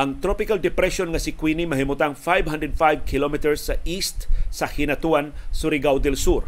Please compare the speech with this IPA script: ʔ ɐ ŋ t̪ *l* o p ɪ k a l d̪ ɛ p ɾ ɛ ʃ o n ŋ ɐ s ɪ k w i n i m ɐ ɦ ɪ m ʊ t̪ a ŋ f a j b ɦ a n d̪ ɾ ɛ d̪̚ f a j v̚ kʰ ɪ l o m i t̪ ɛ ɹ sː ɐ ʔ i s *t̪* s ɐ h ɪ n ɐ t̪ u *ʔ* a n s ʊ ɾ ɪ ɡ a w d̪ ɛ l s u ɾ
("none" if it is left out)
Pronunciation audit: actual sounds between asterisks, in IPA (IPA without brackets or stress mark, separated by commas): ɾ, t̪, none